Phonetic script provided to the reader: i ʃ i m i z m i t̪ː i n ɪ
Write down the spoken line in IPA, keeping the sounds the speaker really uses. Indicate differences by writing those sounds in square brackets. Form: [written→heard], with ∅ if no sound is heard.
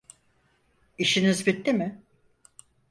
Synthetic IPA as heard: i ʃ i [m→n] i z [m→b] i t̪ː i [n→m] ɪ